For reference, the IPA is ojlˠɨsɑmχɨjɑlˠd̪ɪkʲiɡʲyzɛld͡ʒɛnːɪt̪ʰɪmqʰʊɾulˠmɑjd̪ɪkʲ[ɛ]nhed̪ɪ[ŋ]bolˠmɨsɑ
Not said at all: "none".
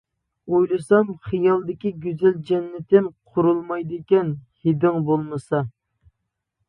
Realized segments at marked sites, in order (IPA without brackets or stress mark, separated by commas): ɛ, ŋ